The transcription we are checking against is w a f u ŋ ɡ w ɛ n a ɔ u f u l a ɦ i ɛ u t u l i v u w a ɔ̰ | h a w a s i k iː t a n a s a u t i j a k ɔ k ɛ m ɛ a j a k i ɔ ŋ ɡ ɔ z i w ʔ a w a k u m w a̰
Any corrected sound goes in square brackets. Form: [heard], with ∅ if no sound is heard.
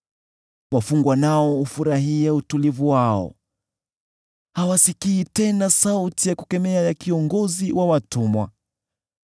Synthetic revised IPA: w a f u ŋ ɡ w [a] n a ɔ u f u [ɾ] a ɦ i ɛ u t u l i v u w a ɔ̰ | h a w a s i k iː t [ɛ] n a s a u t i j a k [u] k ɛ m ɛ a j a k i ɔ ŋ ɡ ɔ z i w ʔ a w a [t] u m w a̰

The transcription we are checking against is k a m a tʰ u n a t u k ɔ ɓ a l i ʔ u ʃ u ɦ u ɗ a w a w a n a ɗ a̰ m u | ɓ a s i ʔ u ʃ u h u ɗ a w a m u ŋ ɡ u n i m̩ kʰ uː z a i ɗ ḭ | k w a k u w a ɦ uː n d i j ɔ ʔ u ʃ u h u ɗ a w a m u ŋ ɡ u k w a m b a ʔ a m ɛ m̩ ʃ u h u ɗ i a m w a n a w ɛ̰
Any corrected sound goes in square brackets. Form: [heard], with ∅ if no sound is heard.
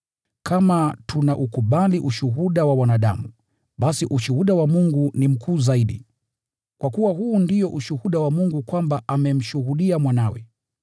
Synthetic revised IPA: k a m a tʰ u n a [ʔ] u k [u] ɓ a l i ʔ u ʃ u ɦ u ɗ a w a w a n a ɗ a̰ m u | ɓ a s i ʔ u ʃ u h u ɗ a w a m u ŋ ɡ u n i m̩ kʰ uː z a i ɗ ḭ | k w a k u w a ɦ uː n d i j ɔ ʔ u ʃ u h u ɗ a w a m u ŋ ɡ u k w a m b a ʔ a m ɛ m̩ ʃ u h u ɗ i a m w a n a w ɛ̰

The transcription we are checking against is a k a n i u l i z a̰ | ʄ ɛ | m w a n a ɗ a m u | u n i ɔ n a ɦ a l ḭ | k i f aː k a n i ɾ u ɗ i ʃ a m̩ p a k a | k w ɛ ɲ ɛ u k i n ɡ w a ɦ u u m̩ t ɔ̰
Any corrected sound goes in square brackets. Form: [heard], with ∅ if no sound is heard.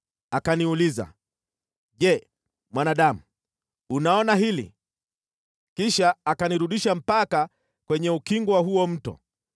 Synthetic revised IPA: a k a n i u l i z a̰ | ʄ ɛ | m w a n a ɗ a m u | u n [a] ɔ n a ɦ [i] l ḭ | k i [ʃ] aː k a n i ɾ u ɗ i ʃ a m̩ p a k a | k w ɛ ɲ ɛ u k i [ŋ] ɡ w a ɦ u [ɔ] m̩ t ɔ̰

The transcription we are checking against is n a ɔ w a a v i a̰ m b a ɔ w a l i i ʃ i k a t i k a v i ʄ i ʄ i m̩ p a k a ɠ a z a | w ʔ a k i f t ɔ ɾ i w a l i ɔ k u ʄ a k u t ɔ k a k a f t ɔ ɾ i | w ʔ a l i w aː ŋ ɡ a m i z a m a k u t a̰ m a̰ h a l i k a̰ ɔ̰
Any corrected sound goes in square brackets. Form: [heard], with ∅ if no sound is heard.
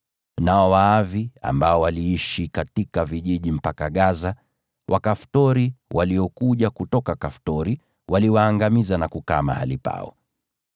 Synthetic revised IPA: n a ɔ w a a v i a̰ m b a ɔ w a l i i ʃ i k a t i k a v i ʄ i ʄ i m̩ p a k a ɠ a z a | w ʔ a k [a] f t ɔ ɾ i w a l i ɔ k u ʄ a k u t ɔ k a k a f t ɔ ɾ i | w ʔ a l i w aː ŋ ɡ a m i z a [n] a k u [k] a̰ m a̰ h a l i [p] a̰ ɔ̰

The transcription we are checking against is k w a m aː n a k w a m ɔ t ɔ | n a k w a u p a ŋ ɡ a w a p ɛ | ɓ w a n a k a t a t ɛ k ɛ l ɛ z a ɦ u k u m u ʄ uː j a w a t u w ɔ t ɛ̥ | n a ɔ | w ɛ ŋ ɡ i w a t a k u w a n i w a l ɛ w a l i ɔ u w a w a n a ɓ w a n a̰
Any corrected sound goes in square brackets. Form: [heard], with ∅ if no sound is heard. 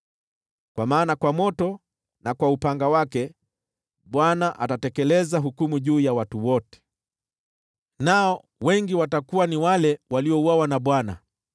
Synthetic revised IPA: k w a m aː n a k w a m ɔ t ɔ | n a k w a u p a ŋ ɡ a w a [k] ɛ | ɓ w a n a [ʔ] a t a t ɛ k ɛ l ɛ z a ɦ u k u m u ʄ uː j a w a t u w ɔ t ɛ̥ | n a ɔ | w ɛ ŋ ɡ i w a t a k u w a n i w a l ɛ w a l i ɔ u w a w a n a ɓ w a n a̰

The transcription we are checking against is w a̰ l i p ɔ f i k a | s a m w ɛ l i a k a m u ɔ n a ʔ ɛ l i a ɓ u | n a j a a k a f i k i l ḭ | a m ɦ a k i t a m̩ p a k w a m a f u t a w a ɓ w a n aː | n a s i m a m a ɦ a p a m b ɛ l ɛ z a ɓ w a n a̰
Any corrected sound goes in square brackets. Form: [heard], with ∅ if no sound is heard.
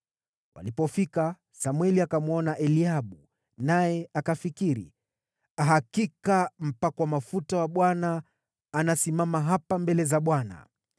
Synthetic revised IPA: w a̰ l i p ɔ f i k a | s a m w ɛ l i a k a m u ɔ n a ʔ ɛ l i a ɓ u | n a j [ɛ] a k a f i k i [ɾ] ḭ | a [∅] ɦ a k i [k] a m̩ p a k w a m a f u t a w a ɓ w a n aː | n a s i m a m a ɦ a p a m b ɛ l ɛ z a ɓ w a n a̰

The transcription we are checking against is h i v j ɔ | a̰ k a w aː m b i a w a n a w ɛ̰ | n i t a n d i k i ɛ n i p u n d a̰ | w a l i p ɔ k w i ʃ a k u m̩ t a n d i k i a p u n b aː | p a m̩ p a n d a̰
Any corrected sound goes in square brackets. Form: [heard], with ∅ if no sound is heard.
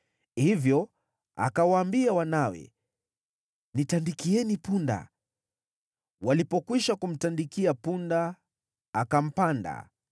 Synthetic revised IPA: h i v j ɔ | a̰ k a w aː m b i a w a n a w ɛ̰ | n i t a n d i k i ɛ n i p u n d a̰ | w a l i p ɔ k w i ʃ a k u m̩ t a n d i k i a p u n [d] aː | [k] a m̩ p a n d a̰

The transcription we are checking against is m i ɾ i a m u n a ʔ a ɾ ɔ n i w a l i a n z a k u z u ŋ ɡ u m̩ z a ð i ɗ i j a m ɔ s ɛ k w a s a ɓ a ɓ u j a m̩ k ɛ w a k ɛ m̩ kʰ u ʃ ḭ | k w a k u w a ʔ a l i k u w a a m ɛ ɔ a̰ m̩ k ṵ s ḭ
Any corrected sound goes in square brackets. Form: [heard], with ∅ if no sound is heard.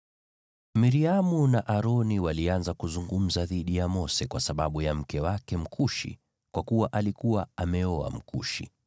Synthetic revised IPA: m i ɾ i a m u n a ʔ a ɾ ɔ n i w a l i a n z a k u z u ŋ ɡ u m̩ z a ð i ɗ i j a m ɔ s ɛ k w a s a ɓ a ɓ u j a m̩ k ɛ w a k ɛ m̩ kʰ u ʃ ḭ | k w a k u w a ʔ a l i k u w a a m ɛ ɔ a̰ m̩ k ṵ [ʃ] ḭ

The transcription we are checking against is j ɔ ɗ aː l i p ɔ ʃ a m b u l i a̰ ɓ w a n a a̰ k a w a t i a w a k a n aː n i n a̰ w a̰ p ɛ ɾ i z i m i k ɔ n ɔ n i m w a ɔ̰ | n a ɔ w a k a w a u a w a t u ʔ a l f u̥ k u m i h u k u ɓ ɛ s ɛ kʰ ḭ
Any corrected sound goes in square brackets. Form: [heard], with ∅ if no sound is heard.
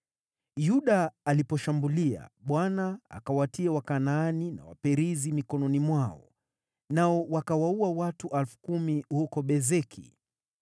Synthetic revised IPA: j [u] ɗ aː l i p ɔ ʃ a m b u l i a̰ ɓ w a n a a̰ k a w a t i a w a k a n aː n i n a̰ w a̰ p ɛ ɾ i z i m i k ɔ n ɔ n i m w a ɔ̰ | n a ɔ w a k a w a u a w a t u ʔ a l f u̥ k u m i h u k [ɔ] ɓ ɛ [z] ɛ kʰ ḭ

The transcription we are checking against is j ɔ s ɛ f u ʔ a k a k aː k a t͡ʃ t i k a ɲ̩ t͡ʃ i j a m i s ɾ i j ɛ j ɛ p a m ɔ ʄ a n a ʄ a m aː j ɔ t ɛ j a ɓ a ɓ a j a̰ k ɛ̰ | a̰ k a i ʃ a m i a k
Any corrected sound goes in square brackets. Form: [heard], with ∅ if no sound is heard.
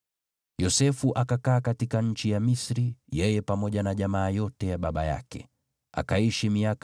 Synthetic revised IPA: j ɔ s ɛ f u ʔ a k a k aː k a [∅] t i k a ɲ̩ t͡ʃ i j a m i s ɾ i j ɛ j ɛ p a m ɔ ʄ a n a ʄ a m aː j ɔ t ɛ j a ɓ a ɓ a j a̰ k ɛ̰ | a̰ k a i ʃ [i] m i a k

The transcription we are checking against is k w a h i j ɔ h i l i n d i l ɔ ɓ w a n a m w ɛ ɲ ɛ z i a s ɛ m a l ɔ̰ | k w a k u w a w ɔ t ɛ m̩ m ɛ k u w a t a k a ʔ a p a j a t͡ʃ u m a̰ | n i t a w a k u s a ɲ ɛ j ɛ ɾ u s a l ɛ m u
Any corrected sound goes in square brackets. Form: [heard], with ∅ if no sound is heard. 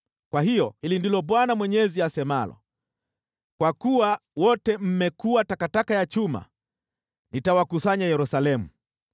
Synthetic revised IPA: k w a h i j ɔ h i l i n d i l ɔ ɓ w a n a m w ɛ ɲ ɛ z i a s ɛ m a l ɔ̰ | k w a k u w a w ɔ t ɛ m̩ m ɛ k u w a t a k a [t] a [k] a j a t͡ʃ u m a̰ | n i t a w a k u s a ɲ [a] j ɛ ɾ u s a l ɛ m u

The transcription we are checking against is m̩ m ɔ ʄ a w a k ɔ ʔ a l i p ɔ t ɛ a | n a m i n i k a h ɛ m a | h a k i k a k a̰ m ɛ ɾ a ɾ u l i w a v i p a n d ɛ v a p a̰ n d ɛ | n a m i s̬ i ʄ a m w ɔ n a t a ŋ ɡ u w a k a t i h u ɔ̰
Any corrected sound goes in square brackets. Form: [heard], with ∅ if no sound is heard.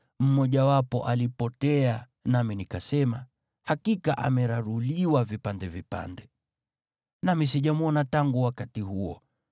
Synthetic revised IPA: m̩ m ɔ ʄ a w a [p] ɔ ʔ a l i p ɔ t ɛ a | n a m i n i k a [s] ɛ m a | h a k i k a [ʔ] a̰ m ɛ ɾ a ɾ u l i w a v i p a n d ɛ v [i] p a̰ n d ɛ | n a m i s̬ i ʄ a m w ɔ n a t a ŋ ɡ u w a k a t i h u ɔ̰

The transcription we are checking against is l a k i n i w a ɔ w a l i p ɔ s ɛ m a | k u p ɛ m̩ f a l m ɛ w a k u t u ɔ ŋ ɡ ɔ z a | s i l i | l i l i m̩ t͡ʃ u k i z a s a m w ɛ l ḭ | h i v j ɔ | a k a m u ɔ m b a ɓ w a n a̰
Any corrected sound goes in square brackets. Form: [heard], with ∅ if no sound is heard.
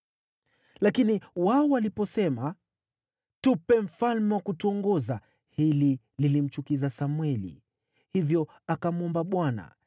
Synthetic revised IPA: l a k i n i w a ɔ w a l i p ɔ s ɛ m a | [t] u p ɛ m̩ f a l m ɛ w a k u t u ɔ ŋ ɡ ɔ z a | [h] i l i | l i l i m̩ t͡ʃ u k i z a s a m w ɛ l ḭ | h i v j ɔ | a k a m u ɔ m b a ɓ w a n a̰

